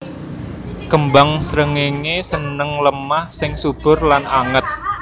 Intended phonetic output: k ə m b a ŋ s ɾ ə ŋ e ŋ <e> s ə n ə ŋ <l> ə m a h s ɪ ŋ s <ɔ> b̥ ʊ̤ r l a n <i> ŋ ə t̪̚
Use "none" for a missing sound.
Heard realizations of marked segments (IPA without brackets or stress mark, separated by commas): e, l, u, a